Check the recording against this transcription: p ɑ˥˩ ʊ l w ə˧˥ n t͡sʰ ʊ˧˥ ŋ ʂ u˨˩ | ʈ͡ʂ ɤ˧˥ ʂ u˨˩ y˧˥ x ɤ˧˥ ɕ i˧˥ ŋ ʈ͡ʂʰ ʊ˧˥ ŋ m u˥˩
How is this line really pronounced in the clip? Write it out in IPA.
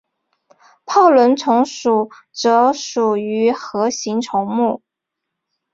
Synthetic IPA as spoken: pʰ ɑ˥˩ ʊ l w ə˧˥ n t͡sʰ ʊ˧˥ ŋ ʂ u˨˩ | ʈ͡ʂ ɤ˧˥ ʂ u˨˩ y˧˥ x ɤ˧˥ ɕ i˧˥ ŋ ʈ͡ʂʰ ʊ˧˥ ŋ m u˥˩